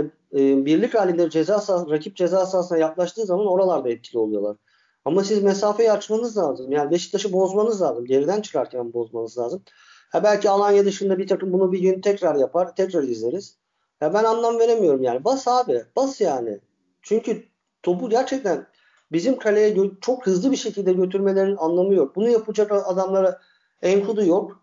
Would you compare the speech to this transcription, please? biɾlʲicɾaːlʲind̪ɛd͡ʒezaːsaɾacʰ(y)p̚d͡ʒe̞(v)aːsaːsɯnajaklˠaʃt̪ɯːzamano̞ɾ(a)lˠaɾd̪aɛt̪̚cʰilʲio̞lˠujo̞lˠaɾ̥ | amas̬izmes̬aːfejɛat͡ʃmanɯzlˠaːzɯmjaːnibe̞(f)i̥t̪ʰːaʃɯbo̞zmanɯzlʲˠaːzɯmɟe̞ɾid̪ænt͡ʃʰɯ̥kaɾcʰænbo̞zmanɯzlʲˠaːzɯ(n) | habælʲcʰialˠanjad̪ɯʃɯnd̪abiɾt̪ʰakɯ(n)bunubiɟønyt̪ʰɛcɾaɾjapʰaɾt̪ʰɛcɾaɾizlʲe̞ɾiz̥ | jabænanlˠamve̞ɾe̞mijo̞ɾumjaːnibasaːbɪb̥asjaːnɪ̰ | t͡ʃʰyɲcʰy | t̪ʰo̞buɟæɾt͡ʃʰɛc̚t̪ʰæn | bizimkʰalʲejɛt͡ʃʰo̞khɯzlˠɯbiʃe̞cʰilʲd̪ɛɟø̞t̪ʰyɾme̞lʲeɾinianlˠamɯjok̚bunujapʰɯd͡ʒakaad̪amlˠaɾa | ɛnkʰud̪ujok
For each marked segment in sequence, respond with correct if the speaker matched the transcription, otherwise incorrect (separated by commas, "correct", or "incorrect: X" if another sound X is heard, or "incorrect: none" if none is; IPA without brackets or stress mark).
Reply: incorrect: i, incorrect: z, correct, incorrect: ʃ, incorrect: m, incorrect: m